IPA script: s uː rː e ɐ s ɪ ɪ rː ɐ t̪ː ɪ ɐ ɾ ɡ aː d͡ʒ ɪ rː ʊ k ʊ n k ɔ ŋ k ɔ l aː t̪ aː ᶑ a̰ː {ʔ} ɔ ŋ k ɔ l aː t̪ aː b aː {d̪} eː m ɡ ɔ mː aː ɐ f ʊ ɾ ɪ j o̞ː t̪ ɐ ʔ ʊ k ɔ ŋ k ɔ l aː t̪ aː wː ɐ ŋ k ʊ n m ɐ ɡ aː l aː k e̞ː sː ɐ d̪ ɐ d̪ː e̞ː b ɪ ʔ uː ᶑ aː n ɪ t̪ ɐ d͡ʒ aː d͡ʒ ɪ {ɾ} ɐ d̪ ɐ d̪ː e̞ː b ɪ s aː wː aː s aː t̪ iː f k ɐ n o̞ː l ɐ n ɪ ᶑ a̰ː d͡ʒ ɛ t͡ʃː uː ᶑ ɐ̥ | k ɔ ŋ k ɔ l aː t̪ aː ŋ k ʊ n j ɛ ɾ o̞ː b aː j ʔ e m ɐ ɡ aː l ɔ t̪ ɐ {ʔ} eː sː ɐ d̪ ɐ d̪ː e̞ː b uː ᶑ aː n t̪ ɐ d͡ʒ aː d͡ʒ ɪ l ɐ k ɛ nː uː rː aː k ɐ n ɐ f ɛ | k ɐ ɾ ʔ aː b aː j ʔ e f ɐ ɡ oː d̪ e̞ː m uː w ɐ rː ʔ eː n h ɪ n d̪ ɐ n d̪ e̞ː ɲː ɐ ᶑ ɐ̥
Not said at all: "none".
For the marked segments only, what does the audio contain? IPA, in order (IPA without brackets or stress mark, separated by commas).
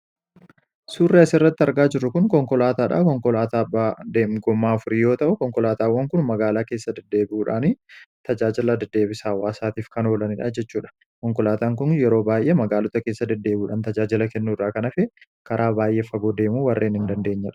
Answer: k, d̪, l, k